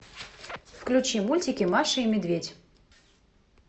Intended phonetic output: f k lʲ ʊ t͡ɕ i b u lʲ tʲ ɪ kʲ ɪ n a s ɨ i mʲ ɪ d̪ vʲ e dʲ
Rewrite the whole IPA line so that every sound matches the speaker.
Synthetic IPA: f k lʲ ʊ t͡ɕ i m u lʲ tʲ ɪ kʲ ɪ m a ʂ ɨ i mʲ ɪ d̪ vʲ e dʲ

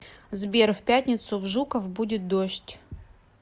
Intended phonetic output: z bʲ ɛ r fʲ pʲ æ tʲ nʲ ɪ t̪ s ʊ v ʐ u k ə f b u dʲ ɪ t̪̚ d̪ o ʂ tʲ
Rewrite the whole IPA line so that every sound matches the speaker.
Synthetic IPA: z bʲ e r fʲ pʲ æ tʲ nʲ ɪ t̪ s ʊ v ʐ u k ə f b u dʲ ɪ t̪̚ d̪ o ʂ tʲ

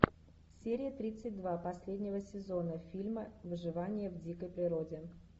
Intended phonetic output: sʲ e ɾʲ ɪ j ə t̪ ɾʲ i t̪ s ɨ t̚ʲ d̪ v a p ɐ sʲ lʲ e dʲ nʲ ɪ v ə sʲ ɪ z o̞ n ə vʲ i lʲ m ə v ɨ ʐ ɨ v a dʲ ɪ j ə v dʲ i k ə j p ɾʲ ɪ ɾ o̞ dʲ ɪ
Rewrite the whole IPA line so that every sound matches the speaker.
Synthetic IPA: sʲ e ɾʲ ɪ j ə t̪ ɾʲ i t̪ s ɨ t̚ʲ d̪ v a p ɐ sʲ lʲ e dʲ nʲ ɪ v ə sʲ ɪ z o̞ n ə fʲ i lʲ m ə v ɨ ʐ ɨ v a nʲ ɪ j ə v dʲ i k ə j p ɾʲ ɪ ɾ o̞ dʲ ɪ

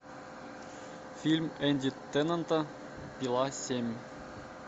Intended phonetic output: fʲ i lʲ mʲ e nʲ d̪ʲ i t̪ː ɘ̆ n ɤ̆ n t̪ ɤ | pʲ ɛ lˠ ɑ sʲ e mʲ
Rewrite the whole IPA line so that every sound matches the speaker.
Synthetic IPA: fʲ i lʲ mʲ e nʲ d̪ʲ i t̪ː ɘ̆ n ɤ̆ n t̪ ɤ | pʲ i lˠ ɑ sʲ e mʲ

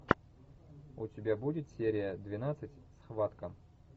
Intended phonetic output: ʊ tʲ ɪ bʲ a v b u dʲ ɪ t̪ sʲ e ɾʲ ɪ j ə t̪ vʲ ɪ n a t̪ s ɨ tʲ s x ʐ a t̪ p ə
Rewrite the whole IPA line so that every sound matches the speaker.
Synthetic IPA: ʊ tʲ ɪ bʲ a b u dʲ ɪ t̪ sʲ e ɾʲ ɪ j ə d̪ vʲ ɪ n a t̪ s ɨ tʲ s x v a t̪ k ə

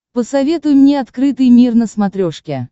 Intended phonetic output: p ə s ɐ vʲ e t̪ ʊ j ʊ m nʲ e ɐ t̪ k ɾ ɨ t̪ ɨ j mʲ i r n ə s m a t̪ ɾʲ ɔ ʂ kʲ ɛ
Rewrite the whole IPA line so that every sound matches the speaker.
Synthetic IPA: p ə s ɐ vʲ e t̪ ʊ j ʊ m nʲ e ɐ t̪ k ɾ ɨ t̪ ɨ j mʲ i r n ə s m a t̪ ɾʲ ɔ ʂ kʲ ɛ

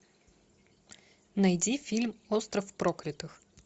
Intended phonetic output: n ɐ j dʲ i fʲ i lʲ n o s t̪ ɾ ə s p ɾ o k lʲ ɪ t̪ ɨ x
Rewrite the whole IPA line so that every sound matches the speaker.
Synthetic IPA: n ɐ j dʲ i fʲ i lʲ m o s t̪ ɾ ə f p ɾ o k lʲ ɪ t̪ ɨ x

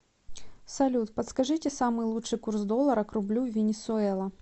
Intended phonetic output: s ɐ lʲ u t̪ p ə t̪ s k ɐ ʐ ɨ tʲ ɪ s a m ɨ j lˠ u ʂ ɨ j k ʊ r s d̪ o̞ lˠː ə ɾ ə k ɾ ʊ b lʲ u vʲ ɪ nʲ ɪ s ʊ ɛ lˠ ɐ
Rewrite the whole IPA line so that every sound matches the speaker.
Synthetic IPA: s ɐ lʲ u t̪ p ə t̪ s k ɐ ʐ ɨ tʲ ɪ s a m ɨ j lˠ u ʂ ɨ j k u r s d̪ o̞ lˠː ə ɾ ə k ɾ ʊ b lʲ u vʲ ɪ nʲ ɪ s ʊ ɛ lˠ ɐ

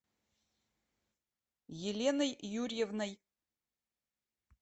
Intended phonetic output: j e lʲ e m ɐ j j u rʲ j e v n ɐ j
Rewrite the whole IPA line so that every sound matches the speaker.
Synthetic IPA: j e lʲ e n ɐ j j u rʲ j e v n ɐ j

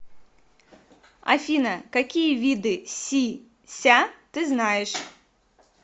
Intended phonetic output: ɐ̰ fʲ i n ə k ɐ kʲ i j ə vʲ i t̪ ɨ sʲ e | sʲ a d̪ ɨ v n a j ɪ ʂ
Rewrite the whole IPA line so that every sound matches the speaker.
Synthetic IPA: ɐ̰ fʲ i n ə k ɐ kʲ i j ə vʲ i d̪ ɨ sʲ i | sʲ a t̪ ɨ z n a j ɪ ʂ

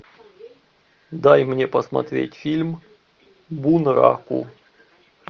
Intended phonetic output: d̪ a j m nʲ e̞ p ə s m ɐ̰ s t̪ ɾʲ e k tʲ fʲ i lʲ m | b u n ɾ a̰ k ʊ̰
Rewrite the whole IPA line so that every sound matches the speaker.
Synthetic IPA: d̪ a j m nʲ e̞ p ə s m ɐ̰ t̪ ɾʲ e tʲ fʲ i lʲ m | b u n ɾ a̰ k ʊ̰

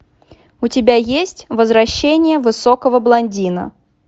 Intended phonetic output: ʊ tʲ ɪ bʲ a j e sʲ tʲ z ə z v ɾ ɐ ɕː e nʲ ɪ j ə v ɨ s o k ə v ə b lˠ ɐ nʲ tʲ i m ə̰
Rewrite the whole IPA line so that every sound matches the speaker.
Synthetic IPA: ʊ tʲ ɪ bʲ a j e sʲ tʲ v ə z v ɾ ɐ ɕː e nʲ ɪ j ə v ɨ s o k ə v ə b lˠ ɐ nʲ dʲ i n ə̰

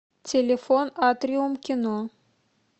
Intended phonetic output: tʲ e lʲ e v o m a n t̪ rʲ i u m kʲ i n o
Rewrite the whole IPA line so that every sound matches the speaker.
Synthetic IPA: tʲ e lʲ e f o n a t̪ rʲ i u m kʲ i n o

